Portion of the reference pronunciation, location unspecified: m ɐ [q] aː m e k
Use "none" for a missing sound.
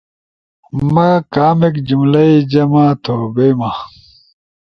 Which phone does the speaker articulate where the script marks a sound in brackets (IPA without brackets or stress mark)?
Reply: k